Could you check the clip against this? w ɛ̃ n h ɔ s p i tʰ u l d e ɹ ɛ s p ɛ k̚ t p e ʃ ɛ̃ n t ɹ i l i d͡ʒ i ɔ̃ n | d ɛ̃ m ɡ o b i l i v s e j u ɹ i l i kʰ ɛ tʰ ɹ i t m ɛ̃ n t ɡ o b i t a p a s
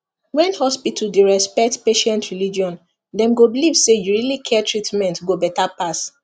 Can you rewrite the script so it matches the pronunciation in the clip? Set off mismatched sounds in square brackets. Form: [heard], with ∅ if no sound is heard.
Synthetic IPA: w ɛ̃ n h ɔ s p i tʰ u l d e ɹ ɛ s p ɛ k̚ t p e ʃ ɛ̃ n t ɹ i l i d͡ʒ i ɔ̃ n | d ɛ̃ m ɡ o b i l i v s e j u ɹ i l i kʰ ɛ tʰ ɹ i t m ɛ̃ n t ɡ o b [ɛ] t a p a s